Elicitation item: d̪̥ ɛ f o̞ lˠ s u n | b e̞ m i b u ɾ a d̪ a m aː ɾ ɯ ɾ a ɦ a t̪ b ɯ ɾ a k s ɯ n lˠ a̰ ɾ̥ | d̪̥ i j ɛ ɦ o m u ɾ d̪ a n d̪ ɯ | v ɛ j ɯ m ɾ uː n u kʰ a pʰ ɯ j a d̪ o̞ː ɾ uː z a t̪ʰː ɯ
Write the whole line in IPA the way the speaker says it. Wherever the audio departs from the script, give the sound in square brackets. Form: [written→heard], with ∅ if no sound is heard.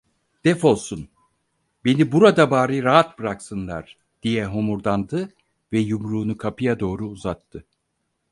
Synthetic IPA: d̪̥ ɛ f o̞ lˠ s u n | b e̞ [m→n] i b u ɾ a d̪ a [m→b] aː ɾ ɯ ɾ a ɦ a t̪ b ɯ ɾ a k s ɯ n lˠ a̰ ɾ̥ | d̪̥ i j ɛ ɦ o m u ɾ d̪ a n d̪ ɯ | v ɛ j [ɯ→u] m ɾ uː n u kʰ a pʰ ɯ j a d̪ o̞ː ɾ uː z a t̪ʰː ɯ